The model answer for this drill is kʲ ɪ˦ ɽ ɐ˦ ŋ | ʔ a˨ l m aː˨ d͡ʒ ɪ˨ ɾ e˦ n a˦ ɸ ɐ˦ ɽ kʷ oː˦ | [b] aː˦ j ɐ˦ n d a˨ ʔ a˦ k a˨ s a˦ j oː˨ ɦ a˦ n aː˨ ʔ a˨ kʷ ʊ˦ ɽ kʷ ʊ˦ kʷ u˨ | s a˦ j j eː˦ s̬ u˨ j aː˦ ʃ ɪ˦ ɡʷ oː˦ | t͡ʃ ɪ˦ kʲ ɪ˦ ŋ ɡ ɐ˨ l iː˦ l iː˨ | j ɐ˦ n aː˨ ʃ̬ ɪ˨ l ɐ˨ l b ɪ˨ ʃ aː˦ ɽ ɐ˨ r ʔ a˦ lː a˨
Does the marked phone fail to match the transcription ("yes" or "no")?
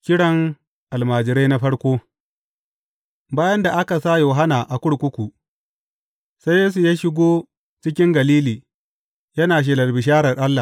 no